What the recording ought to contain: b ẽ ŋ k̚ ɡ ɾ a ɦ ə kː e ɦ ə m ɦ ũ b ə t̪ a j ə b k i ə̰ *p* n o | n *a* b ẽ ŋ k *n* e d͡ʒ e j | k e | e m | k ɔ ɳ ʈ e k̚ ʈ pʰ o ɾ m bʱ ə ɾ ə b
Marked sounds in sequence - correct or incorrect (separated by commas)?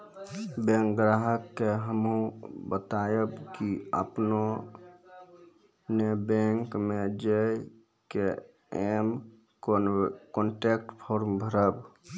correct, incorrect, incorrect